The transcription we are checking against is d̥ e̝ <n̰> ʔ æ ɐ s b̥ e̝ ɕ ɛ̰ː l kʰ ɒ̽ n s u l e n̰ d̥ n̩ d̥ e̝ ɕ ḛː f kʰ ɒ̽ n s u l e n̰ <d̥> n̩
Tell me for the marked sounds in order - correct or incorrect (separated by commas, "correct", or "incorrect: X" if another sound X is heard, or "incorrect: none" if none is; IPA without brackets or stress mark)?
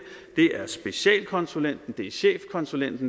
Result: incorrect: none, correct